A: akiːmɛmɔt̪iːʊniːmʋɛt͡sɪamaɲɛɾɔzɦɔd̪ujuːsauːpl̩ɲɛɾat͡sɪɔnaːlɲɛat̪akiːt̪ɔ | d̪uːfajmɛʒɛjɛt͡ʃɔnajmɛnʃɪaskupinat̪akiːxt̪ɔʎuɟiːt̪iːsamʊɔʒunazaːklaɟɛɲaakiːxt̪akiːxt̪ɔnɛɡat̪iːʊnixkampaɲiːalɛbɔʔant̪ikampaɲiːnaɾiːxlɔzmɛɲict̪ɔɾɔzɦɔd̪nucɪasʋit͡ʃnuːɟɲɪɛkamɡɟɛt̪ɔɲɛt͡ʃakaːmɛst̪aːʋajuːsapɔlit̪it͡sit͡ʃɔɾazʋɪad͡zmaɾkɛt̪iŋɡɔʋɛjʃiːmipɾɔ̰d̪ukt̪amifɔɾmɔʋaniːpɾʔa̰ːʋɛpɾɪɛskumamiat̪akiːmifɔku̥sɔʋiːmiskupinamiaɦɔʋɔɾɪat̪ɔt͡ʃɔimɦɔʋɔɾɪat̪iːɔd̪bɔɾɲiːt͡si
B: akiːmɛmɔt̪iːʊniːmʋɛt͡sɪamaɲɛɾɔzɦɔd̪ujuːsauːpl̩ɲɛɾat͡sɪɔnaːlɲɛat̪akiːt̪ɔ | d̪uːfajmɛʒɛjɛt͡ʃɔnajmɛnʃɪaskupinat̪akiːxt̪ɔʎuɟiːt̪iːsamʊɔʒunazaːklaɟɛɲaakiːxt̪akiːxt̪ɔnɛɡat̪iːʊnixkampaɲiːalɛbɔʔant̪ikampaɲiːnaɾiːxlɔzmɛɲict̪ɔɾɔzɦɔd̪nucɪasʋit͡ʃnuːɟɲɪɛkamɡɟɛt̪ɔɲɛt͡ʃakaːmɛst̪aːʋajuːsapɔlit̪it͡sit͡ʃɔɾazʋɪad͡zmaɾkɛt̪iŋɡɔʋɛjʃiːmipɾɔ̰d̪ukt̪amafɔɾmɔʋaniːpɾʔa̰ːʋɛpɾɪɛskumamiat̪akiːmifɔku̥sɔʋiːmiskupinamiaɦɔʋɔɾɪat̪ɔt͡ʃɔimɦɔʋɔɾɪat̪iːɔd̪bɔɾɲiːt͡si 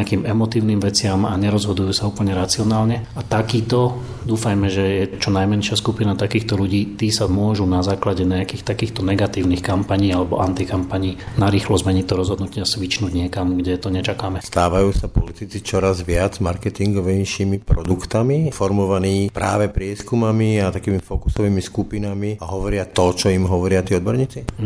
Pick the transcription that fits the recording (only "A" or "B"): A